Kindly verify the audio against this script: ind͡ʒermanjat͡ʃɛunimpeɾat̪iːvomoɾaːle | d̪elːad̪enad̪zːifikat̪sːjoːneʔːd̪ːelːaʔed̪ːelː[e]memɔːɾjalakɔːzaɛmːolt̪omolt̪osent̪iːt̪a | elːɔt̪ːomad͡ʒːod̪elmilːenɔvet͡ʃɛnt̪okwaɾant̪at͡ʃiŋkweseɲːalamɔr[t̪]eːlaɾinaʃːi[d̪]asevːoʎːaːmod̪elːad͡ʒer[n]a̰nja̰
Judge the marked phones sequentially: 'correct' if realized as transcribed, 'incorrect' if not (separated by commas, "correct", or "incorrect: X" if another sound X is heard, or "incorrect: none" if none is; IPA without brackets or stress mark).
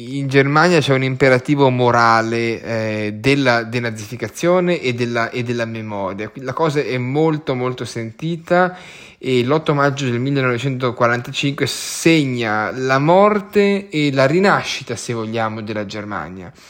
incorrect: a, correct, incorrect: t̪, incorrect: m